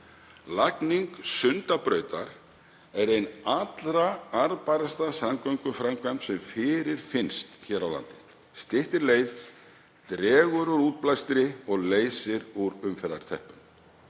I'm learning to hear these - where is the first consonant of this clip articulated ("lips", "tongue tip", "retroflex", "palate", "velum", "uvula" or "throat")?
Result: tongue tip